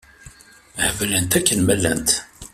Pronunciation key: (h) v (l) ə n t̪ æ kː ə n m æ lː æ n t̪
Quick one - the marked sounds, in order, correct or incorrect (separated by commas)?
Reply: correct, correct